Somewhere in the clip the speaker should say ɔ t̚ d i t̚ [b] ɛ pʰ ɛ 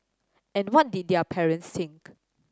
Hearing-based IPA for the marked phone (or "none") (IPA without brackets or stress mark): d